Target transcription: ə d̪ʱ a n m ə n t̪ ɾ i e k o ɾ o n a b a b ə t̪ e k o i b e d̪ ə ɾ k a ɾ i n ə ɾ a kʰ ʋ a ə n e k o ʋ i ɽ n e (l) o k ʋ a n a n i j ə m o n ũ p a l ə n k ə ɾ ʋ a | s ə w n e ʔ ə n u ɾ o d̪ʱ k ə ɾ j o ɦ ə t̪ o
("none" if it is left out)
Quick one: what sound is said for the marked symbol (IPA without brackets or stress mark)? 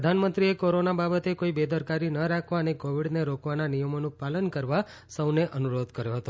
ɾ